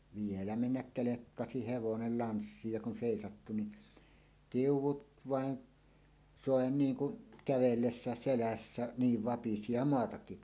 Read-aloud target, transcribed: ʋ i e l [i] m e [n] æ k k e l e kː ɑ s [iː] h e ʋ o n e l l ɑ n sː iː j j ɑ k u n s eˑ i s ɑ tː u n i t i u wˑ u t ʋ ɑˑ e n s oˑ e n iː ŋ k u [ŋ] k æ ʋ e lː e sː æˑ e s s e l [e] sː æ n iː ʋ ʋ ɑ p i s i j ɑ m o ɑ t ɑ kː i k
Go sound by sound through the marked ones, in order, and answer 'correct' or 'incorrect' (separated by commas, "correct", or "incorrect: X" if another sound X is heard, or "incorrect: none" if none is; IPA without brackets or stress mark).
incorrect: æ, incorrect: nː, incorrect: i, incorrect: n, incorrect: æ